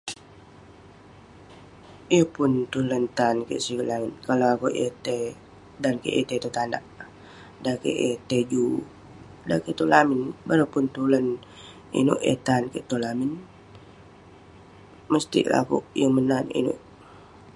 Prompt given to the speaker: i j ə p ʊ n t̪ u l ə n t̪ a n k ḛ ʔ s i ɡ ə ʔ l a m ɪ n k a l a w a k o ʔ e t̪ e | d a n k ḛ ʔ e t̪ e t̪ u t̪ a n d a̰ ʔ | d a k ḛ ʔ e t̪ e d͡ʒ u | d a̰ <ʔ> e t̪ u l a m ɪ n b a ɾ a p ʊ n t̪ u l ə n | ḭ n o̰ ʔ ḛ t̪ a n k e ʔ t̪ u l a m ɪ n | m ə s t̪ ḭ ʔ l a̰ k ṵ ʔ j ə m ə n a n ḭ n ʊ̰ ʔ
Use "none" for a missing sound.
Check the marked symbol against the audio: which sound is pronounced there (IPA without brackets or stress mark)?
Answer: k